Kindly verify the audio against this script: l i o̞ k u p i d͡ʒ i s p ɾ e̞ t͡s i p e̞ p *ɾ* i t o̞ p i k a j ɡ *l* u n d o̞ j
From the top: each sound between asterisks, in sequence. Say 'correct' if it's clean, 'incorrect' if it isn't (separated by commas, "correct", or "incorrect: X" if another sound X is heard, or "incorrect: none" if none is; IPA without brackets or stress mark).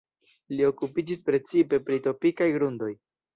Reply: correct, incorrect: ɾ